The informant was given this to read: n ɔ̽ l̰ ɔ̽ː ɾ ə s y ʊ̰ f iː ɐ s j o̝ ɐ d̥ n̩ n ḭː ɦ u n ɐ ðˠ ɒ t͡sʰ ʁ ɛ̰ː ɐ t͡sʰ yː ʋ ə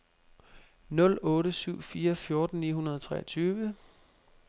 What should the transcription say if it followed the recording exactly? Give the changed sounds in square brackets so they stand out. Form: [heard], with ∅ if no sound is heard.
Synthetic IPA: n ɔ̽ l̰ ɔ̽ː ɾ ə s y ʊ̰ f iː ɐ [f] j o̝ ɐ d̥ n̩ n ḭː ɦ u n ɐ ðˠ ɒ t͡sʰ ʁ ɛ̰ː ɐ t͡sʰ yː ʋ ə